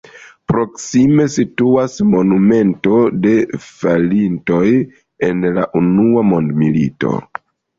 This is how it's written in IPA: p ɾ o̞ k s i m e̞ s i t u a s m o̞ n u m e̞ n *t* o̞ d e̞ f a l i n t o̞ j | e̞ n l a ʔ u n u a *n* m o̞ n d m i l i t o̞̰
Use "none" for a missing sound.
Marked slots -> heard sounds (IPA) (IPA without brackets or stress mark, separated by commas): t, none